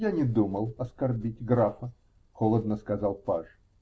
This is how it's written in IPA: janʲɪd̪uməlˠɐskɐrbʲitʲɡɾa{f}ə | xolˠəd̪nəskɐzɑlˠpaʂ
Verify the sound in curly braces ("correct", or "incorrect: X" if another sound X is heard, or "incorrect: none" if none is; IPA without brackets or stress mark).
correct